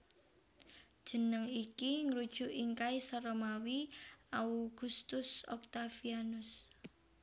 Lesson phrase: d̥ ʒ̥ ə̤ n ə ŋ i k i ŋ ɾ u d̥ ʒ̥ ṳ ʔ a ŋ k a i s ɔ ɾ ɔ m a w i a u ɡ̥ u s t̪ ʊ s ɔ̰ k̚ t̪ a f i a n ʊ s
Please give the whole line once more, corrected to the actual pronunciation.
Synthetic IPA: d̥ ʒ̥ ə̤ n ə ŋ i k i ŋ ɾ u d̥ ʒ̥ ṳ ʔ i ŋ k a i s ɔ ɾ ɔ m a w i a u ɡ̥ u s t̪ ʊ s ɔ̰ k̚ t̪ a f i a n ʊ s